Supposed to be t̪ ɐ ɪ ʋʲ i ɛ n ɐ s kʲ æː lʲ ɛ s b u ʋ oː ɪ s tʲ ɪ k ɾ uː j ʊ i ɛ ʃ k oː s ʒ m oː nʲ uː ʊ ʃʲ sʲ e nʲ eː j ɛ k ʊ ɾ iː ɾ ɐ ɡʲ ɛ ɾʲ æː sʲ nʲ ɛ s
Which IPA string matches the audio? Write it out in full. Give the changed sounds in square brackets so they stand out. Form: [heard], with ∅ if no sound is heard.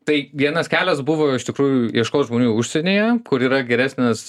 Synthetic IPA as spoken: t̪ ɐ ɪ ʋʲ i ɛ n ɐ s kʲ æː lʲ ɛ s b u ʋ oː ɪ [ʃ] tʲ ɪ k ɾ uː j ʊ i ɛ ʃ k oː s ʒ m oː nʲ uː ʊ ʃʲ sʲ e nʲ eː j ɛ k ʊ ɾ iː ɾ ɐ ɡʲ ɛ ɾʲ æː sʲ nʲ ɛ s